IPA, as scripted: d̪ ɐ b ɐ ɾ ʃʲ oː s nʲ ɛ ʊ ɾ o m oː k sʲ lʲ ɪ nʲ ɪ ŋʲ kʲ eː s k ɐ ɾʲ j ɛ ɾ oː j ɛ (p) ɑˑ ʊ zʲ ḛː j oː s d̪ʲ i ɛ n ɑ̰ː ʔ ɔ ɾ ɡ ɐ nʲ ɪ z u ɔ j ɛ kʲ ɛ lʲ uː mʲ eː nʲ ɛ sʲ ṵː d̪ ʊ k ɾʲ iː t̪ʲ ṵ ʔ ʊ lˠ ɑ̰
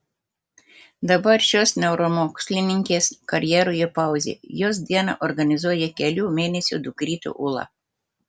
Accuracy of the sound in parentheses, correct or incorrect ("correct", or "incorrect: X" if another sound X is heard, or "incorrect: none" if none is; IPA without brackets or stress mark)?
correct